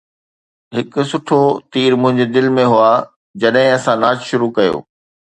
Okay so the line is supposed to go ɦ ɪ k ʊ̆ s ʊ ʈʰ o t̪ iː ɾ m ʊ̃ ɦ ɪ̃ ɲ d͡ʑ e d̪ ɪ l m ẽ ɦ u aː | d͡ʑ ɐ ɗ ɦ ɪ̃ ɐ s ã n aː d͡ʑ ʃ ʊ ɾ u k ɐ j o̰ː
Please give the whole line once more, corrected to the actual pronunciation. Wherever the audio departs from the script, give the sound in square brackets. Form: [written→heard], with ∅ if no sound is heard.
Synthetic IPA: ɦ ɪ k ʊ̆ s ʊ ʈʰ o t̪ iː ɾ m ʊ̃ ɦ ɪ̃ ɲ d͡ʑ e d̪ ɪ l m ẽ ɦ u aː | d͡ʑ ɐ ɗ ɦ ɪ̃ ɐ s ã n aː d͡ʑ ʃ ʊ ɾ u k ɐ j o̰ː

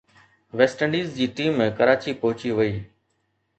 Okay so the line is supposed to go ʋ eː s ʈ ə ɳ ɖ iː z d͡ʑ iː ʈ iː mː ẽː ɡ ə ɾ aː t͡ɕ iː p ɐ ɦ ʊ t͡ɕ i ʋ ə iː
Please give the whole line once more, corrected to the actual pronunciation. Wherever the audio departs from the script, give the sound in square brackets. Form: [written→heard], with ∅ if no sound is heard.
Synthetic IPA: ʋ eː s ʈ ə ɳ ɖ iː z d͡ʑ iː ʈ iː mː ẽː [ɡ→k] ə ɾ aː t͡ɕ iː p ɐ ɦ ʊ t͡ɕ i ʋ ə iː

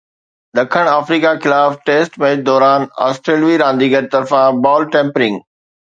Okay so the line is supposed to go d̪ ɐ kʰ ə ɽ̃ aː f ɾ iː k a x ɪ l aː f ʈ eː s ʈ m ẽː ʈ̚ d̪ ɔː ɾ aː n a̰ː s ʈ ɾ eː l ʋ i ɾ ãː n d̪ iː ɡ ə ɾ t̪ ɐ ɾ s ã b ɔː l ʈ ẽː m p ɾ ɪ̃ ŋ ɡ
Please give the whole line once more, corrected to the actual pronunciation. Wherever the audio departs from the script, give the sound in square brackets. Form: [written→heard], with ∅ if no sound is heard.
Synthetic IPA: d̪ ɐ kʰ ə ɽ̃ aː f ɾ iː k a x ɪ l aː f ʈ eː s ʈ m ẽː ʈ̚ d̪ ɔː ɾ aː n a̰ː s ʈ ɾ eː l ʋ i ɾ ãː n d̪ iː ɡ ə ɾ t̪ ɐ ɾ [s→f] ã b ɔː l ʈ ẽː m p ɾ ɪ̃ ŋ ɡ

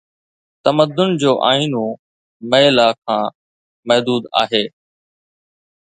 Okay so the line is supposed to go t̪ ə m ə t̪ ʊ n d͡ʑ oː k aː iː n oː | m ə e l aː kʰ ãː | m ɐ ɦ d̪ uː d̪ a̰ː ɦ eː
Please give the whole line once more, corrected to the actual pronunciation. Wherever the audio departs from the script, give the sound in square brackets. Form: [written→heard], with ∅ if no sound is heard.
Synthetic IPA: t̪ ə m ə [t̪→d̪] ʊ n d͡ʑ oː [k→ʔ] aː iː n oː | m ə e l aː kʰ ãː | m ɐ ɦ d̪ uː d̪ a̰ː ɦ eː

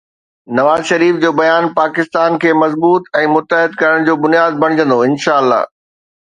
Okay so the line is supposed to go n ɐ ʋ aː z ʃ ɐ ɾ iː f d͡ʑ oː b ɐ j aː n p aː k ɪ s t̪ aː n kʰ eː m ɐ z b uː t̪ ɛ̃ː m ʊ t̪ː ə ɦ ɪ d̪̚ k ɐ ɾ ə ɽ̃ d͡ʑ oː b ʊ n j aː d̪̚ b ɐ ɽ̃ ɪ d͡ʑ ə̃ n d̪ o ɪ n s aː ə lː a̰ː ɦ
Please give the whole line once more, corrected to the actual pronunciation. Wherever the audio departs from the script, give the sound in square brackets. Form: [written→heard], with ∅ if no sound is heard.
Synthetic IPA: n ɐ ʋ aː z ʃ ɐ ɾ iː f d͡ʑ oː b ɐ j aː n p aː k ɪ s t̪ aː n kʰ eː m ɐ z b uː t̪ ɛ̃ː m ʊ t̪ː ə ɦ ɪ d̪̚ k ɐ ɾ ə ɽ̃ d͡ʑ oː b ʊ n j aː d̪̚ b ɐ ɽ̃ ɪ d͡ʑ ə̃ n d̪ o ɪ n [s→ʃ] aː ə lː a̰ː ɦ

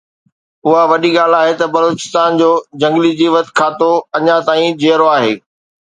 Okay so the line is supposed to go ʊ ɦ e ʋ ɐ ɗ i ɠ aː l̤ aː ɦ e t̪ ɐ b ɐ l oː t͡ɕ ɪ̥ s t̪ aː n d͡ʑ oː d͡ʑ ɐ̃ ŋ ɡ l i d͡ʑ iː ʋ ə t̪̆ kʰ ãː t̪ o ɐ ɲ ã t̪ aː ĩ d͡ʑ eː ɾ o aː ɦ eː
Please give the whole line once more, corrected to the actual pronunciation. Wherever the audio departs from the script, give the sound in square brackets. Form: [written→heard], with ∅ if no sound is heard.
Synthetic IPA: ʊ ɦ [e→a] ʋ ɐ ɗ i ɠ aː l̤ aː ɦ e t̪ ɐ b ɐ l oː t͡ɕ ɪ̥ s t̪ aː n d͡ʑ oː d͡ʑ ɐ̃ ŋ ɡ l i d͡ʑ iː ʋ ə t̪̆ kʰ [ãː→aː] t̪ o ɐ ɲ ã t̪ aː ĩ d͡ʑ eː ɾ o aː ɦ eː

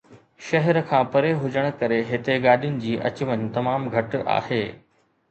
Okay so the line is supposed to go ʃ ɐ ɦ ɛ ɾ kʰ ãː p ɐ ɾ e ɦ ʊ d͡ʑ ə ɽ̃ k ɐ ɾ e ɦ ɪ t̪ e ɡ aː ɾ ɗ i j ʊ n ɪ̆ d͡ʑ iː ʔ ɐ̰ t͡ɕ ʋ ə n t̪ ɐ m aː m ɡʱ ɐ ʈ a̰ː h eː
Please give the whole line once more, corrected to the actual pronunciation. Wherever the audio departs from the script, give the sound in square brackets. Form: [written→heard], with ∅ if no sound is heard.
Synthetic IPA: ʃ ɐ ɦ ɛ ɾ kʰ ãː p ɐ ɾ e ɦ ʊ d͡ʑ ə ɽ̃ k ɐ ɾ e ɦ ɪ t̪ e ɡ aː [ɾ→∅] ɗ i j ʊ n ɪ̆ d͡ʑ iː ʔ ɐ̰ t͡ɕ ʋ ə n t̪ ɐ m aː m ɡʱ ɐ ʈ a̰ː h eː

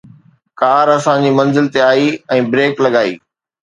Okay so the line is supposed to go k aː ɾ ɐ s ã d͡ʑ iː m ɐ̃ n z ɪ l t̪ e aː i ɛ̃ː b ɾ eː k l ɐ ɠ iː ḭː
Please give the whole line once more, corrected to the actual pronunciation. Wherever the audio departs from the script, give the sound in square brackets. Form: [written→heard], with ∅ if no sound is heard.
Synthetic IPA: k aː ɾ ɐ s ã d͡ʑ iː m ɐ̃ n z ɪ l t̪ e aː i ɛ̃ː b ɾ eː k l ɐ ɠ [iː→aː] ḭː

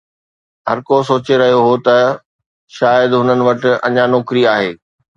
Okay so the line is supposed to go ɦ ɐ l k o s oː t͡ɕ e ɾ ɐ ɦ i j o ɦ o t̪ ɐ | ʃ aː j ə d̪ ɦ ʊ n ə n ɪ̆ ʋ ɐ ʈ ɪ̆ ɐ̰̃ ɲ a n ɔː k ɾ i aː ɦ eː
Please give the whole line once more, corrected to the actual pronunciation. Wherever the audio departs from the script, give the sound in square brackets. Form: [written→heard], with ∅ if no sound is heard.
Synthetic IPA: ɦ ɐ [l→ɾ] k o s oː t͡ɕ e ɾ ɐ ɦ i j o ɦ o t̪ ɐ | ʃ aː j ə d̪ ɦ ʊ n ə n ɪ̆ ʋ ɐ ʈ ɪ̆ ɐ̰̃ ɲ a n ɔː k ɾ i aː ɦ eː

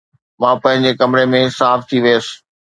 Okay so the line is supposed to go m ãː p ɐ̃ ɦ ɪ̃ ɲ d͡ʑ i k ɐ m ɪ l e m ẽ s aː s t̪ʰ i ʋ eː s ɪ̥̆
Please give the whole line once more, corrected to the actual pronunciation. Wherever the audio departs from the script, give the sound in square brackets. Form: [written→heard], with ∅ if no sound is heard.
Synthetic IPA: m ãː p ɐ̃ ɦ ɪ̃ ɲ d͡ʑ [i→e] k ɐ m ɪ [l→ɾ] e m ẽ s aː [s→f] t̪ʰ i ʋ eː s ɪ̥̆

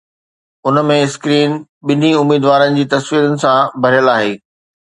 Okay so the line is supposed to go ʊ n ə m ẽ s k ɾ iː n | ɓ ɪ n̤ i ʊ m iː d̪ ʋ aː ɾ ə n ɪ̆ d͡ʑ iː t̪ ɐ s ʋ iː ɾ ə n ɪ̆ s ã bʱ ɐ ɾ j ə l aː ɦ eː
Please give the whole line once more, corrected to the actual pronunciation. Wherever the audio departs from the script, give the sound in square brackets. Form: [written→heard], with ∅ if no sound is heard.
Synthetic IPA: ʊ n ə m ẽ s k ɾ iː n | ɓ ɪ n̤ i ʊ m iː d̪ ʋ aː ɾ ə n ɪ̆ d͡ʑ iː t̪ ɐ s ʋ iː ɾ ə n ɪ̆ s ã bʱ ɐ ɾ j ə l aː ɦ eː

